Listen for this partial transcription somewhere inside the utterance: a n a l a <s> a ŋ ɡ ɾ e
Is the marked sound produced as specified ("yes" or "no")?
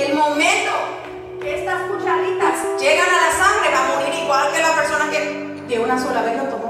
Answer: yes